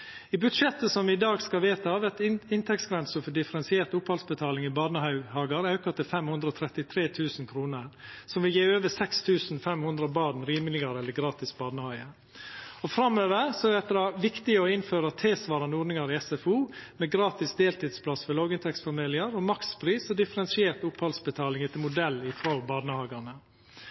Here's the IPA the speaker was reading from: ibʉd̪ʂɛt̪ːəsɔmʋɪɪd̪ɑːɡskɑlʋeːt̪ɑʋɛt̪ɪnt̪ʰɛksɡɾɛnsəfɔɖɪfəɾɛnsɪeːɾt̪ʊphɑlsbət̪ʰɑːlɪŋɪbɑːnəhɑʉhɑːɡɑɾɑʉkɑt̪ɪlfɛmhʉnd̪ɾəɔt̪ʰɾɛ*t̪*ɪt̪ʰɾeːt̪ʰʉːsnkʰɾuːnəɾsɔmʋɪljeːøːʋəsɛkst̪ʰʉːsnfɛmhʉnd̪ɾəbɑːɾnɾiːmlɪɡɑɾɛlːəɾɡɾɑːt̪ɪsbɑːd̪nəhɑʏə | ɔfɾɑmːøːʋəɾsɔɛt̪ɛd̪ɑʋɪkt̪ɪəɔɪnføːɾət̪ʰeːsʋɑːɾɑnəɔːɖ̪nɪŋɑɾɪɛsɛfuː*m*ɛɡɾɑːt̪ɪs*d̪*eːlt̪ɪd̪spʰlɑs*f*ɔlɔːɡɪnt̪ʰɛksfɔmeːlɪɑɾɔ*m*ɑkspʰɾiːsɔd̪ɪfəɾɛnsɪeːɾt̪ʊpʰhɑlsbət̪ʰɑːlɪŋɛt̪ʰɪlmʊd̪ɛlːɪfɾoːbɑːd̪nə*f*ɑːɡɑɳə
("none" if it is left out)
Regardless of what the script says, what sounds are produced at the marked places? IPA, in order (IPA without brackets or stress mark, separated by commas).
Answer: t̪, m, d̪, f, m, h